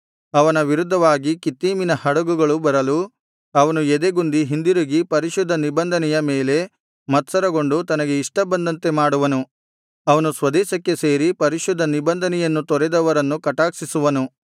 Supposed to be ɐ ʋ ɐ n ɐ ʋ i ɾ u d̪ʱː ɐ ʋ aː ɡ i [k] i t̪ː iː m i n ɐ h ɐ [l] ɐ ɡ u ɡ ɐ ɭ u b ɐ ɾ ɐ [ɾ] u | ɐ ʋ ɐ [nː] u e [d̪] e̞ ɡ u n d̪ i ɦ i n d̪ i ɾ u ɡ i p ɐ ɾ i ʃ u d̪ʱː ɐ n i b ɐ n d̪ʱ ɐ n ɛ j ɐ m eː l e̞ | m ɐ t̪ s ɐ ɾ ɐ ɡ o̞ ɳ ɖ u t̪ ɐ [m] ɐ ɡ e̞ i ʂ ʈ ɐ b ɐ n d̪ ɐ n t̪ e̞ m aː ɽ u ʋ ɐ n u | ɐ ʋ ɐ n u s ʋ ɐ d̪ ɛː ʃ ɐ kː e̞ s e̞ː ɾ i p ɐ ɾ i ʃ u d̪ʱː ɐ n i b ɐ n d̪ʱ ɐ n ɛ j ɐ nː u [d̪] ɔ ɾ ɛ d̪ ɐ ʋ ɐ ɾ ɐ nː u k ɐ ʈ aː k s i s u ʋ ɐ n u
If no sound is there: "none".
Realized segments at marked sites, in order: k, ɽ, l, n, d̪, n, t̪

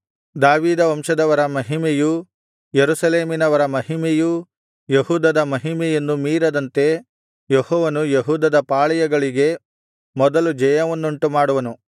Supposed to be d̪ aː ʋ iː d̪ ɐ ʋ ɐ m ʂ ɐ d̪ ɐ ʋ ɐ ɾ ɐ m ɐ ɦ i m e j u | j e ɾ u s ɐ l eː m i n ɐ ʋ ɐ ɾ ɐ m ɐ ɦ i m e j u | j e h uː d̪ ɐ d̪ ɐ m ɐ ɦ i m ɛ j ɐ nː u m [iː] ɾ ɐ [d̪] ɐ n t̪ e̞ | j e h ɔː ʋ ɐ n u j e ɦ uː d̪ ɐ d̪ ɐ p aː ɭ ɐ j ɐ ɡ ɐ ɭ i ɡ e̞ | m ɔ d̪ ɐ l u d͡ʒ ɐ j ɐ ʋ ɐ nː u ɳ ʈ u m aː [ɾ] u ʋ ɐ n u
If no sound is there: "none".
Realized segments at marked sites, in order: iː, d̪, ɽ

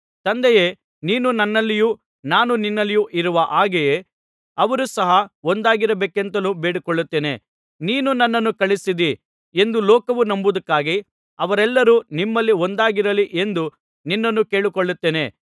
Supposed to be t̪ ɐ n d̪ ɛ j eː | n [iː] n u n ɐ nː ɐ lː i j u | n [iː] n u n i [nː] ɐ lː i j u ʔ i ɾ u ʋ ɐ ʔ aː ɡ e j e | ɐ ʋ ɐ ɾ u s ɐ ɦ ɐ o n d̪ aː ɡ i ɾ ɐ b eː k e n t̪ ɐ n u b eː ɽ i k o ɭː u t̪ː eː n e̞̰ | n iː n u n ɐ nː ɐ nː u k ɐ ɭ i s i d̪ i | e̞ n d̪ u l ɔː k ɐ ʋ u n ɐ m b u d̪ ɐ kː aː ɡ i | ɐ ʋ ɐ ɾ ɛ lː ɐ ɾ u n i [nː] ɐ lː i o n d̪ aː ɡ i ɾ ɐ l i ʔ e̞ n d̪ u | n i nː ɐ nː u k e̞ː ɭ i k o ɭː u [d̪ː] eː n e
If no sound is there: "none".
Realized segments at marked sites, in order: iː, aː, nː, mː, t̪ː

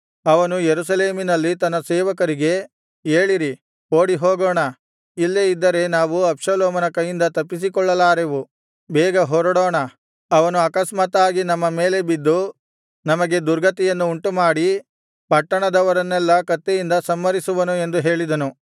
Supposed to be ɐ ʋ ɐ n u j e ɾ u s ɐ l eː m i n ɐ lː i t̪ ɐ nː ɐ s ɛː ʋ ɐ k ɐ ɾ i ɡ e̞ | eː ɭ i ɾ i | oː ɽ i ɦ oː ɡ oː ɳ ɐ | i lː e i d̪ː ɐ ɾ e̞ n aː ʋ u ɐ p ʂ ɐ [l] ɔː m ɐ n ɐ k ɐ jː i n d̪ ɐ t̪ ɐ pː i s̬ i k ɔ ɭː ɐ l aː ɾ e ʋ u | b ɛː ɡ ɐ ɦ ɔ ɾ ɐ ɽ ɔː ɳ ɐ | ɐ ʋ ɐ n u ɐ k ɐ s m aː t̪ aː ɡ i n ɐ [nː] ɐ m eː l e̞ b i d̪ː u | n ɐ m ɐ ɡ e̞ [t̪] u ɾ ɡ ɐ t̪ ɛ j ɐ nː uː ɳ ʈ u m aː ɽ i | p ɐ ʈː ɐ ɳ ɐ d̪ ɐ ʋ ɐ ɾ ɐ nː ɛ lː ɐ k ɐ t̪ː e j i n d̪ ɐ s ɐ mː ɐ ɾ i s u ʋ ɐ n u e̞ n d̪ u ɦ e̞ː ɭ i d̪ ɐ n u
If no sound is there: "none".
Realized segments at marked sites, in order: l, mː, d̪

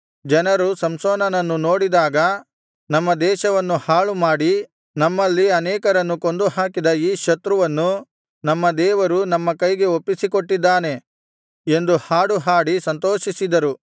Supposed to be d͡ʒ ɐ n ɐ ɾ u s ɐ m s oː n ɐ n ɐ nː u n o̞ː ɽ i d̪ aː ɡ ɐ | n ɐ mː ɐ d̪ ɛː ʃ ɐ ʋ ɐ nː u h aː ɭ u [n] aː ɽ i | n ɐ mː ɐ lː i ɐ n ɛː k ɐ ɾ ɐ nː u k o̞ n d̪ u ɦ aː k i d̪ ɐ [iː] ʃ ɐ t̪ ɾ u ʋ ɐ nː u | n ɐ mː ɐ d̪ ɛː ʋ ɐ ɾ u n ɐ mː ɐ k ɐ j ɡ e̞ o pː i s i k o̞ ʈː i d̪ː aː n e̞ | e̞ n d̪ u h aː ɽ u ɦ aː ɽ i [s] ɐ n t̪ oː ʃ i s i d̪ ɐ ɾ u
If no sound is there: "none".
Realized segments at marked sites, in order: m, iː, s

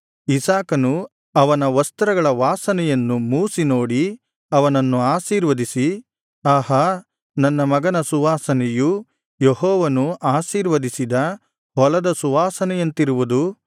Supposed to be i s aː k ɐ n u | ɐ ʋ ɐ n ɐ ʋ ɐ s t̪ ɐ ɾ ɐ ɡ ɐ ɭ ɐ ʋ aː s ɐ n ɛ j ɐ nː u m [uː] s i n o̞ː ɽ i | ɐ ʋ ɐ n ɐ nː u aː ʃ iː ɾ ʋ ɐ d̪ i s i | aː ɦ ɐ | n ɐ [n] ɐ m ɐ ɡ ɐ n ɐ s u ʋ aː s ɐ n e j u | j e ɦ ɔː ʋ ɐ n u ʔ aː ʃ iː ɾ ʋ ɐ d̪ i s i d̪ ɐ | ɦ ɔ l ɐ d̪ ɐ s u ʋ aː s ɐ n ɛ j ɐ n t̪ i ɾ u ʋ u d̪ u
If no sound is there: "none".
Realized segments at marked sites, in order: uː, nː

